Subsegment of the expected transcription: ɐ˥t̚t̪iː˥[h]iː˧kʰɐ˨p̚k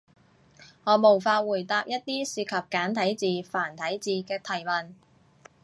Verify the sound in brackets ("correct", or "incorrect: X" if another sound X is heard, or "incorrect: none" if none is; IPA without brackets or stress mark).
incorrect: s